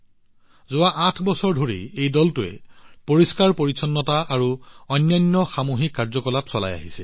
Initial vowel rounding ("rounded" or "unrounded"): rounded